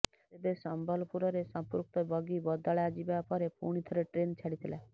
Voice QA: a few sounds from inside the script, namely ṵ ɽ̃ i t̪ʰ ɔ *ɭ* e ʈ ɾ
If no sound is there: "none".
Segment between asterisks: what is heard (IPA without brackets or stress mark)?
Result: ɾ